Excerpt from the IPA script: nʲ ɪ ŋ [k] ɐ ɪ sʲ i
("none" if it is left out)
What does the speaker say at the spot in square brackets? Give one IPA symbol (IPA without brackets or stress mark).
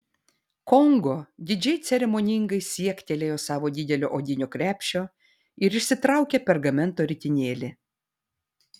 ɡ